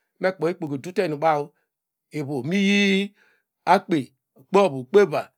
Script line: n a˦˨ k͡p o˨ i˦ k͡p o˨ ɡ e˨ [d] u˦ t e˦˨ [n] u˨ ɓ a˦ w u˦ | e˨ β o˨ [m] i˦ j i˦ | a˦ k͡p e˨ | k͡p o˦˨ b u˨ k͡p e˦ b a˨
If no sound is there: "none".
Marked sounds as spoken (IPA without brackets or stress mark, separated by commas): d, n, m